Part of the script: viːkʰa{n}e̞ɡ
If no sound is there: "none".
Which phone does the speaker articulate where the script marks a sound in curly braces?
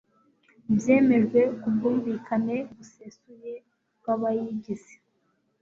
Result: n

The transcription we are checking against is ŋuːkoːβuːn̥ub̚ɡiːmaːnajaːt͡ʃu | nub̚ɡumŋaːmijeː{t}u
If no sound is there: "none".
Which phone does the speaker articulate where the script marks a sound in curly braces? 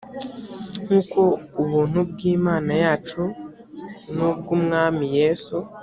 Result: s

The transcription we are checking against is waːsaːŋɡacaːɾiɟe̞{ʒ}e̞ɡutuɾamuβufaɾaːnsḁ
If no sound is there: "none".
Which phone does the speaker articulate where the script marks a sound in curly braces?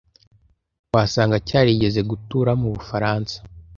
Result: z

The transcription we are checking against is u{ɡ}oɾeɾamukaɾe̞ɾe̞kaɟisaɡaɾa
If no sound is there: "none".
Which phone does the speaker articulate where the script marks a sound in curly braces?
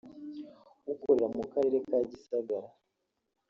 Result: k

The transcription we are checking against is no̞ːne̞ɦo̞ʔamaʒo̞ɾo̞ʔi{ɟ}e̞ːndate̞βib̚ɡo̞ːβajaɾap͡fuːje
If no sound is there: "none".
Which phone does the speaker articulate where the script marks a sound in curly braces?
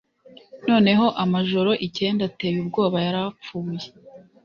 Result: c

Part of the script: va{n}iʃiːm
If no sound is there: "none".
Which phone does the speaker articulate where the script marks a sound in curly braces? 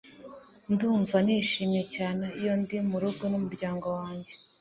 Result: n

